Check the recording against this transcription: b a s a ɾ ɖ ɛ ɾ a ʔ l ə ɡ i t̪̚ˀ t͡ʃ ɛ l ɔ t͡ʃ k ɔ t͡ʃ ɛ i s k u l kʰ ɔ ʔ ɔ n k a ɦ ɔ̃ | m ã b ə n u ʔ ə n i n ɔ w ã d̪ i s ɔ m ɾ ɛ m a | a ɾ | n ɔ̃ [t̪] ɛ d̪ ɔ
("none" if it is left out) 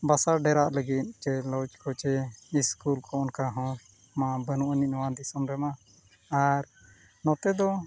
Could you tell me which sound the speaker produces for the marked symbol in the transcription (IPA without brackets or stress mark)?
t̪